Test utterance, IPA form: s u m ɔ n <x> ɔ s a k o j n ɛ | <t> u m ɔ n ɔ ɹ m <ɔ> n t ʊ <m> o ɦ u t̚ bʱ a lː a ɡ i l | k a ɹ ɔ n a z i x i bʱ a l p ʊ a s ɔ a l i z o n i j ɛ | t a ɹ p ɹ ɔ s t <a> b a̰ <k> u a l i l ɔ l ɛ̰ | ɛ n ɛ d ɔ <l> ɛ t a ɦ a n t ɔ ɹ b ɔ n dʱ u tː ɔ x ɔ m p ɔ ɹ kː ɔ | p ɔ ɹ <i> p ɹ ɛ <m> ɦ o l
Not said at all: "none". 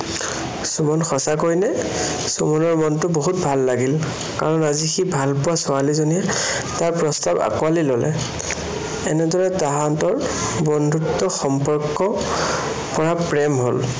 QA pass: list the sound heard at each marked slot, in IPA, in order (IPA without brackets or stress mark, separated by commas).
x, s, ɔ, b, a, k, ɹ, a, m